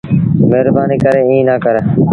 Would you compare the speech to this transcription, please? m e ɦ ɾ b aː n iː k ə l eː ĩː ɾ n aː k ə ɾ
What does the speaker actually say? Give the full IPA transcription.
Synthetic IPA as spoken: m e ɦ ɾ b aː n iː k ə ɾ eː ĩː n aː k ə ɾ